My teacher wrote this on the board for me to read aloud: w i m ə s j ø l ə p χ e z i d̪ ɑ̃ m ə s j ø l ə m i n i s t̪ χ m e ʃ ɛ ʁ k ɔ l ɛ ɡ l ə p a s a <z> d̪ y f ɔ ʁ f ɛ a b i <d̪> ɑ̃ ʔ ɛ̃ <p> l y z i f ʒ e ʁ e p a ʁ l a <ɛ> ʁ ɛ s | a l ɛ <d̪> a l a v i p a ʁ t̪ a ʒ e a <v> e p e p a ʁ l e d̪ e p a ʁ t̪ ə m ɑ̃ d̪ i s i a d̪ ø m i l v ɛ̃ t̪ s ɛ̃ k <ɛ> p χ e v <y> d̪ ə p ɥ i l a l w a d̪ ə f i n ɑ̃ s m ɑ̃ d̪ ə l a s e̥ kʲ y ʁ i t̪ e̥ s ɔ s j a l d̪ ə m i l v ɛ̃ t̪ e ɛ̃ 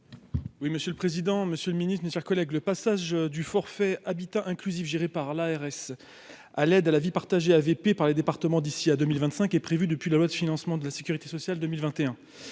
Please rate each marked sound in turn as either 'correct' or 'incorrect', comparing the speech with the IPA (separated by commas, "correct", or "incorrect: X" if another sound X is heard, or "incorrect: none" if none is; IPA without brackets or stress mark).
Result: incorrect: ʒ, incorrect: t̪, incorrect: k, correct, correct, correct, correct, correct